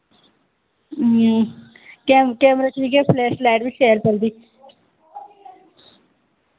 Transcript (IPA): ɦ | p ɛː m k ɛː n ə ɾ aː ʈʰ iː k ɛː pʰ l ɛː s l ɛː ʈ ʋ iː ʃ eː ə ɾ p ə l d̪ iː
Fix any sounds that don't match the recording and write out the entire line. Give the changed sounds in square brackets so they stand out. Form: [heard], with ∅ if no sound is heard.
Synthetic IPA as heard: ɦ | [k] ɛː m k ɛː [m] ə ɾ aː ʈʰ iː k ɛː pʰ l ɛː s l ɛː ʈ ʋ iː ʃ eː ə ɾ p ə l d̪ iː